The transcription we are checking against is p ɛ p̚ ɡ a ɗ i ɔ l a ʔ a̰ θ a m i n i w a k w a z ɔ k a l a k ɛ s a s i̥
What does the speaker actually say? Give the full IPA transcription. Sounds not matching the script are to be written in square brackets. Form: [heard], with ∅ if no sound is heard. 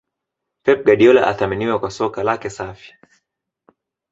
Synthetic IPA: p ɛ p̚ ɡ a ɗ i ɔ l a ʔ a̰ θ a m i n i w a k w a [s] ɔ k a l a k ɛ s a [f] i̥